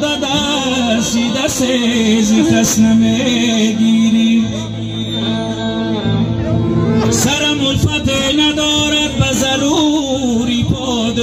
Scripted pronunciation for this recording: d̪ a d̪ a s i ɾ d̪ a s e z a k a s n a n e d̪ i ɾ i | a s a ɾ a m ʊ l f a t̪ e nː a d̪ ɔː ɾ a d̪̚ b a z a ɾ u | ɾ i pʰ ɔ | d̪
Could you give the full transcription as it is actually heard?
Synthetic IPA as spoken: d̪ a d̪ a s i d̪ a s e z i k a s n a m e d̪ i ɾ i | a s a ɾ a m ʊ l f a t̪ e n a d̪ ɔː ɾ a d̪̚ b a z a ɾ u | ɾ i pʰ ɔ | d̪